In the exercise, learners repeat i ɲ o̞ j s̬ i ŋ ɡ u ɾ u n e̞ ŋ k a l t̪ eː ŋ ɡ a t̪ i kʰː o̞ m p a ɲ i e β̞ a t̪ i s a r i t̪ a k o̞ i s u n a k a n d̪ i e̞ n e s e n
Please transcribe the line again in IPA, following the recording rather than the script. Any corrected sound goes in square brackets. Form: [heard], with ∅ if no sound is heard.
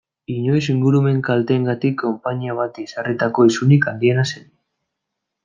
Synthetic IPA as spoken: i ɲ o̞ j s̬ i ŋ ɡ u ɾ u [m] e̞ ŋ k a l t̪ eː ŋ ɡ a t̪ i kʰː o̞ m p a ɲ i [a] β̞ a t̪ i s a r i t̪ a k o̞ i s u n [i] k a n d̪ i e̞ n [a] s e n